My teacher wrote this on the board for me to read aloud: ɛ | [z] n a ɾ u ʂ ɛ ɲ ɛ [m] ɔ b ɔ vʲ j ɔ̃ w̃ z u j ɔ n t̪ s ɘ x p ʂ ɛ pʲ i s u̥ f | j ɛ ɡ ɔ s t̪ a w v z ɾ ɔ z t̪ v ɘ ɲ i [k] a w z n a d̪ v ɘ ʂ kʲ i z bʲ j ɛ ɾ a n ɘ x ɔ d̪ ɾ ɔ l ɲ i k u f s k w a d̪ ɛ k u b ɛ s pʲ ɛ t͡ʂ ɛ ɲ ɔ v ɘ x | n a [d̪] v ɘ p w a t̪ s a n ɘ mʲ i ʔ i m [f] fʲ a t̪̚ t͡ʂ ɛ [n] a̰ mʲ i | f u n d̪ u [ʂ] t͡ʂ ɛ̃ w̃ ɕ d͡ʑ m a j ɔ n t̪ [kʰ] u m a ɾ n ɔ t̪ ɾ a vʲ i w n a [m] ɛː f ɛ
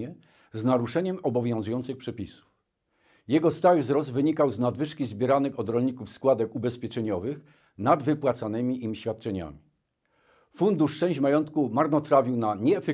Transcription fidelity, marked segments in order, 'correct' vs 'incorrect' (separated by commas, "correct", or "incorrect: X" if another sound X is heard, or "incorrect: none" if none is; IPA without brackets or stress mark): correct, correct, correct, correct, incorrect: ɕ, incorrect: ɲ, correct, incorrect: k, incorrect: ɲ